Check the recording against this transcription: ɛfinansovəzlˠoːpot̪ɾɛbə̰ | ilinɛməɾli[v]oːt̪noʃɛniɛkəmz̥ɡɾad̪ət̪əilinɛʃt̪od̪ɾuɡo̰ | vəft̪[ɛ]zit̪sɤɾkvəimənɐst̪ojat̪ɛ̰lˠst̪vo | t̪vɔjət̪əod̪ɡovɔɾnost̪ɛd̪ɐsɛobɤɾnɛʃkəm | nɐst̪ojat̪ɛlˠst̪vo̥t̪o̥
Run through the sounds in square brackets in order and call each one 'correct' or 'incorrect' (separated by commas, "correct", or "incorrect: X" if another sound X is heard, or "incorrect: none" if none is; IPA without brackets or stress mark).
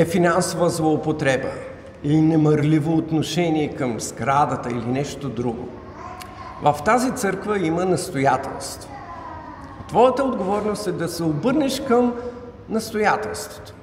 correct, incorrect: a